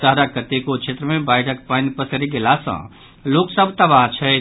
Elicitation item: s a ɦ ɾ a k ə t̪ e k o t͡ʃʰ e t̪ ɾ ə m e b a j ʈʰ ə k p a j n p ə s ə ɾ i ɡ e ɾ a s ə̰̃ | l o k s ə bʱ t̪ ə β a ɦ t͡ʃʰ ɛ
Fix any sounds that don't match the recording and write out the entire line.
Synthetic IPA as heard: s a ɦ ɾ a k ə t̪ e k o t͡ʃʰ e t̪ ɾ ə m e b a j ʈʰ ə k p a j n p ə s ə ɾ i ɡ e l a s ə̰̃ | l o k s ə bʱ t̪ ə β a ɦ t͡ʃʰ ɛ